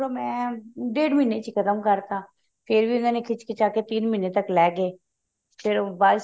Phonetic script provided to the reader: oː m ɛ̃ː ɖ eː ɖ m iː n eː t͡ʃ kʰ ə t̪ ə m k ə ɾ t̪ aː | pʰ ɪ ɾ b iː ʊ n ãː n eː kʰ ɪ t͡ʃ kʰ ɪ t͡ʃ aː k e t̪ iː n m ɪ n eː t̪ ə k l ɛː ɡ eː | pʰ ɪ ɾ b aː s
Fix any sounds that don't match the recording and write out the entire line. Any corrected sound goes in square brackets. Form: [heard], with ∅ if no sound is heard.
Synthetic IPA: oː m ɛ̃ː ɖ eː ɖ m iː n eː t͡ʃ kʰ ə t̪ ə m k ə ɾ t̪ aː | pʰ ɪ ɾ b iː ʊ n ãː n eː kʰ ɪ t͡ʃ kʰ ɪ t͡ʃ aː k e t̪ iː n m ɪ n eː t̪ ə k l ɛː ɡ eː | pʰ ɪ ɾ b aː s